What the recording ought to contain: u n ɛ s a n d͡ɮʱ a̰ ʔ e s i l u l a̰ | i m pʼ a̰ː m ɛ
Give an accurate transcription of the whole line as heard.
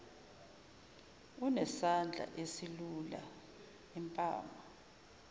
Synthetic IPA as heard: u n ɛ s a n d͡ɮʱ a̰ ʔ e s i l u l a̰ | i m pʼ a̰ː m a